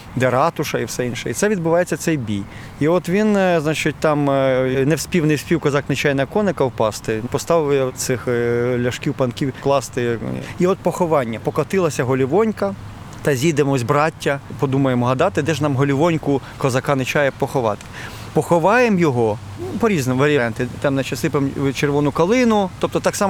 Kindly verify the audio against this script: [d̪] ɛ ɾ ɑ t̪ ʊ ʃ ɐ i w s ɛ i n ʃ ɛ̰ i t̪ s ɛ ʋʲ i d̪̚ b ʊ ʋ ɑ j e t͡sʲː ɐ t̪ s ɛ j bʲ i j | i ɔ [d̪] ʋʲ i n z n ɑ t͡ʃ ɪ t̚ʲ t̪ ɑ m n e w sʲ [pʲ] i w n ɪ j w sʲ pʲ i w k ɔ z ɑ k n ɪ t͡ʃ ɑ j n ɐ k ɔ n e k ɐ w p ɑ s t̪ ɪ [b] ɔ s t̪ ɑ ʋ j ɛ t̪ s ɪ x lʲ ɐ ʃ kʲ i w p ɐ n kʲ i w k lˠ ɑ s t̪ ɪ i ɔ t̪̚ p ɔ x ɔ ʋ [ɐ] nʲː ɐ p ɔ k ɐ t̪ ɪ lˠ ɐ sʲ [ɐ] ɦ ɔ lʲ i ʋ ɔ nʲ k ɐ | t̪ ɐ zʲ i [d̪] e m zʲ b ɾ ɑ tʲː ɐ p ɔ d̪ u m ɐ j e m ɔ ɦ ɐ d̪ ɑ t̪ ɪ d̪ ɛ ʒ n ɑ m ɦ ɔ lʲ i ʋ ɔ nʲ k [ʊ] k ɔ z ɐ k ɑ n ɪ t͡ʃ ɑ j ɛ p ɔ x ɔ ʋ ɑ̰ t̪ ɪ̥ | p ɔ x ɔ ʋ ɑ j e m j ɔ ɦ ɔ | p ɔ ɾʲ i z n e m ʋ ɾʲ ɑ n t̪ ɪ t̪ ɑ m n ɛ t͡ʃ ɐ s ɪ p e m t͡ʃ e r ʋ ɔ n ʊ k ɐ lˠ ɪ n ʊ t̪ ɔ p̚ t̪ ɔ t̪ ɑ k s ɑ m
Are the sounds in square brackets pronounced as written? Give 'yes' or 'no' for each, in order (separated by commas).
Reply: yes, no, yes, no, no, yes, yes, yes